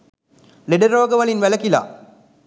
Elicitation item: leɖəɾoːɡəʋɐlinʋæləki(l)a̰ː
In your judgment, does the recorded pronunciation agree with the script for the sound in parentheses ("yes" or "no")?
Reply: yes